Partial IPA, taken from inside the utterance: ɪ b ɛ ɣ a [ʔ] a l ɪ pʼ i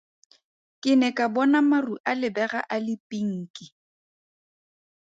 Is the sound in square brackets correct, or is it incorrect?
correct